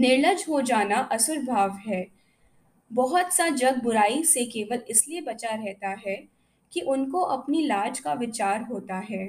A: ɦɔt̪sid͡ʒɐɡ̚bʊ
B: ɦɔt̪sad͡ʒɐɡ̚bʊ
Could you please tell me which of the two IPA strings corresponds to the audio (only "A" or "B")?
B